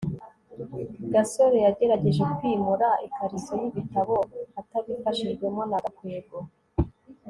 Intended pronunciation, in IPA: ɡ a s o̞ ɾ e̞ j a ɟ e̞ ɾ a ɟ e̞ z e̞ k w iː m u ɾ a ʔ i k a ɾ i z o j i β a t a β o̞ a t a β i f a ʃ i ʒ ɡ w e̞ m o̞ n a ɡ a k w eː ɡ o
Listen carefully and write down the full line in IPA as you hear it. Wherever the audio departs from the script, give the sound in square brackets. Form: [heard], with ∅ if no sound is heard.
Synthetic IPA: ɡ a s o̞ ɾ e̞ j a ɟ e̞ ɾ a ɟ e̞ [ʒ] e̞ k w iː m u ɾ a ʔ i k a ɾ i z o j i β [i] t a β o̞ a t a β i f a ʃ i ʒ ɡ w e̞ m o̞ n a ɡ a k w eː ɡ o